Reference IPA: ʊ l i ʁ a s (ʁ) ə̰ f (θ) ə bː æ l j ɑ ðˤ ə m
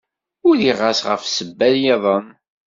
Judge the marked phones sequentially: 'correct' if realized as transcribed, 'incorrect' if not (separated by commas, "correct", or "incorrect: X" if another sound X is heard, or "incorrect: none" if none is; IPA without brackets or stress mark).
correct, incorrect: s